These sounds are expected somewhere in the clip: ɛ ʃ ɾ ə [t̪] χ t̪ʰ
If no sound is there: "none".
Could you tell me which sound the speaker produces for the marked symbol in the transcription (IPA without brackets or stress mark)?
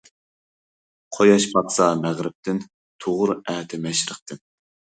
none